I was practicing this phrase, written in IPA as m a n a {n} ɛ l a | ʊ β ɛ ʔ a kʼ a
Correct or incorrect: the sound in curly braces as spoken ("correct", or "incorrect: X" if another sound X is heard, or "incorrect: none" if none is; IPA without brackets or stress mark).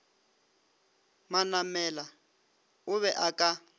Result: incorrect: m